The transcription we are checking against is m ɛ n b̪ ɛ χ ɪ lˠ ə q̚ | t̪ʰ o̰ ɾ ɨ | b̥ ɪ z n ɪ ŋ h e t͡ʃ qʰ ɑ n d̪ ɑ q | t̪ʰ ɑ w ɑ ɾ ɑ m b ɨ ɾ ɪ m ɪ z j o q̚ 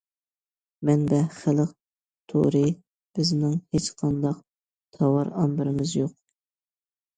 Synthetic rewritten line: m ɛ n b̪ ɛ χ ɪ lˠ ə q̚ | t̪ʰ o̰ ɾ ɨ | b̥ ɪ z n ɪ ŋ h e t͡ʃ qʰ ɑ n d̪ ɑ q | t̪ʰ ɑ w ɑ ɾ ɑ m b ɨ ɾ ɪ m ɪ z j o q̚